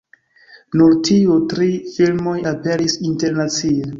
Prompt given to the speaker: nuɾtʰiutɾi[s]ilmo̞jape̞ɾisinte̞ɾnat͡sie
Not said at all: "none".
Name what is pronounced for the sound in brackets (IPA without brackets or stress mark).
f